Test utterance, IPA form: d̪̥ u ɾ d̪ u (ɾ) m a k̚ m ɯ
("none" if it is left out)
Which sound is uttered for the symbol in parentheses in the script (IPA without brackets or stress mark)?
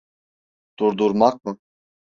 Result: ɾ